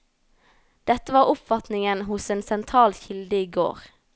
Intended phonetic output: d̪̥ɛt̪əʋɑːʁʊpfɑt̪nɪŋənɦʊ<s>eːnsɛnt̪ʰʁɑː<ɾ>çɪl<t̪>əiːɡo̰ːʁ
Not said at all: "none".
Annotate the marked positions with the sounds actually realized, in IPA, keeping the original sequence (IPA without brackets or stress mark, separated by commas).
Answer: s, l, d̪